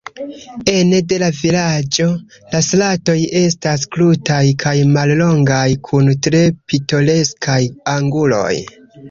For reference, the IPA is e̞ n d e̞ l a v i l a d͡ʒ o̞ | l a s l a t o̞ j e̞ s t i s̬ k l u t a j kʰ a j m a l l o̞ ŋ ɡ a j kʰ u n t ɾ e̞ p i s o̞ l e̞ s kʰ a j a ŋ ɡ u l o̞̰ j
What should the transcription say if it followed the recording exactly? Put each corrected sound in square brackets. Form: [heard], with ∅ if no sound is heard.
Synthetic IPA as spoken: e̞ n d e̞ l a v i l a d͡ʒ o̞ | l a s l a t o̞ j e̞ s t [a] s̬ k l u t a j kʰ a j m a l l o̞ ŋ ɡ a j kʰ u n t ɾ e̞ p i [t] o̞ l e̞ s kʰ a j a ŋ ɡ u l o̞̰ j